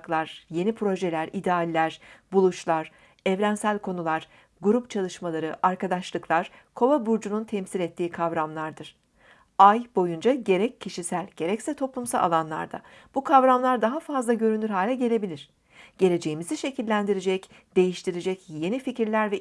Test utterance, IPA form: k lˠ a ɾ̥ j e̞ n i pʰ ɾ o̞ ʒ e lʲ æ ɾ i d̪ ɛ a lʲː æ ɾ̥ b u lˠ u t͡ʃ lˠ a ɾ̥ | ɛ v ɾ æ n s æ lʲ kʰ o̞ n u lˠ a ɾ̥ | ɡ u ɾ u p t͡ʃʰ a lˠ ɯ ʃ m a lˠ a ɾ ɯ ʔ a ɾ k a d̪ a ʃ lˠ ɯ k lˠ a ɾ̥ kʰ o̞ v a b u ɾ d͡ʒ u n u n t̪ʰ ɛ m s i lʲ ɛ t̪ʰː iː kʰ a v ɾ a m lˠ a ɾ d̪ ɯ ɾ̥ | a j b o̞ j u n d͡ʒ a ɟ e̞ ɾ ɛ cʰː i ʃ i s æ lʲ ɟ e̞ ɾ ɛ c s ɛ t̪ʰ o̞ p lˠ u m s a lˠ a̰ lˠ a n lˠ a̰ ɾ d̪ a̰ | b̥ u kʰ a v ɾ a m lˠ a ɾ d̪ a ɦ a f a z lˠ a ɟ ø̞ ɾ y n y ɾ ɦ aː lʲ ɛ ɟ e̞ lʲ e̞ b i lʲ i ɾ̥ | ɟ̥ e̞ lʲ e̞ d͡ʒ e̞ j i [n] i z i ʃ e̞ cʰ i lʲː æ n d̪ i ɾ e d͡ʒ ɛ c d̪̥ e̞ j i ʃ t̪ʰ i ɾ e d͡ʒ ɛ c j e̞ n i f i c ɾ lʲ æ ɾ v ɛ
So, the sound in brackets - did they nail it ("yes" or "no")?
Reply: no